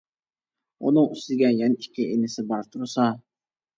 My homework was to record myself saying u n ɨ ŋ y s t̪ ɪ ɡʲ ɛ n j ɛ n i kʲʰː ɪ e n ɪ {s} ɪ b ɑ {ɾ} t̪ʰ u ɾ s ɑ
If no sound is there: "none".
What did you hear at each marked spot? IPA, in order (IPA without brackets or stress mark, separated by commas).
s, ɾ